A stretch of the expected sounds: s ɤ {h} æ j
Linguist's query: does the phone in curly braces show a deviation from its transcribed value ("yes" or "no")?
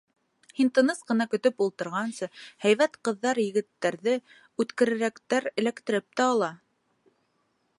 no